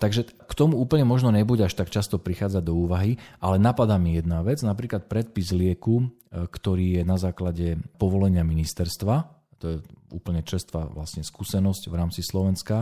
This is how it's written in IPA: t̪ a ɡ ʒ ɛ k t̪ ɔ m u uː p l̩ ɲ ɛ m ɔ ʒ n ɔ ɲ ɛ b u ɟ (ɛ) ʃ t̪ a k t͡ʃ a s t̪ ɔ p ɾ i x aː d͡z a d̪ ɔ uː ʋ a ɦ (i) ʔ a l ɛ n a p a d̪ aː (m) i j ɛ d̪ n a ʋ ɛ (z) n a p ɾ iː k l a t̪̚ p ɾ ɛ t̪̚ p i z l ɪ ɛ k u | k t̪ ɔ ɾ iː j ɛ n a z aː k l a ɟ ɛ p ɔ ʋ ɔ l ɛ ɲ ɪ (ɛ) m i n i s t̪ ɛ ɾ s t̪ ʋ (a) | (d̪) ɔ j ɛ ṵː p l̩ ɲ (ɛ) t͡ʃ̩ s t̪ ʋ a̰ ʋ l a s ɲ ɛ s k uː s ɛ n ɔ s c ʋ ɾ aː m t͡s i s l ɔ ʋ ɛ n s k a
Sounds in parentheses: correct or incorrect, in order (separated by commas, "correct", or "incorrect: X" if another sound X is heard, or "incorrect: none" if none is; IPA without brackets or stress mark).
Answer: incorrect: a, correct, correct, incorrect: d͡z, incorrect: a, correct, incorrect: t̪, correct